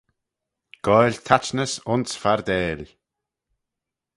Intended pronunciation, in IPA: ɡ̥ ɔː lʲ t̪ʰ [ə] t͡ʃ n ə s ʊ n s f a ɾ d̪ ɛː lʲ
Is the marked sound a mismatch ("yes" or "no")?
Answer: yes